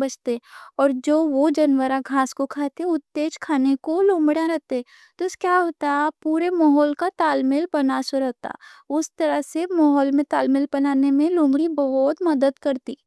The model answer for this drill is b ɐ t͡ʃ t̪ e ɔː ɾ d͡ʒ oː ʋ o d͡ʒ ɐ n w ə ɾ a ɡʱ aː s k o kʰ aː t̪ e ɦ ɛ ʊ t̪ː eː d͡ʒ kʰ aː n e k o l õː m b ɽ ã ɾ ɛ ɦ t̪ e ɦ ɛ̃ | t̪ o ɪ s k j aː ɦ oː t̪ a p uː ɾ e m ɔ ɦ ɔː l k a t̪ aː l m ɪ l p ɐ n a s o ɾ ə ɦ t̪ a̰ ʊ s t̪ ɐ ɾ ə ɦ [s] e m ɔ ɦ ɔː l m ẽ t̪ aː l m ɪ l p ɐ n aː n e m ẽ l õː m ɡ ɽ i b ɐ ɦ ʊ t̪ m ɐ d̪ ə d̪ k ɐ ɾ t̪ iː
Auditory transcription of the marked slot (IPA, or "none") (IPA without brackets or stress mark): s